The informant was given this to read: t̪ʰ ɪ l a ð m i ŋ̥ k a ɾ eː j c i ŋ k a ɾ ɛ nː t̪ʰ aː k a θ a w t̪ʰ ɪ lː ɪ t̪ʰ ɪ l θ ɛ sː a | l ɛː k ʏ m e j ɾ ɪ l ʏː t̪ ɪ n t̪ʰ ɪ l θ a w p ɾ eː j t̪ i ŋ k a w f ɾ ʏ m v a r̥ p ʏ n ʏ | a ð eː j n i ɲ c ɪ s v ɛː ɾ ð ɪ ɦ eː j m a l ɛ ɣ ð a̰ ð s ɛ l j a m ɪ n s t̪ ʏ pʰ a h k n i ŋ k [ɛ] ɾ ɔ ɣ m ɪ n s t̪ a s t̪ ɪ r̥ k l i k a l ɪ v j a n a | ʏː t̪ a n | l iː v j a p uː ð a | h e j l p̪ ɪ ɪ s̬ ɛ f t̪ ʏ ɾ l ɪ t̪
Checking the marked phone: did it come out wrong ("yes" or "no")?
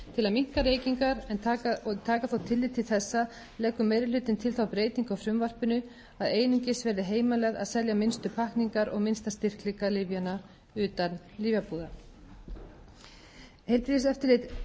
yes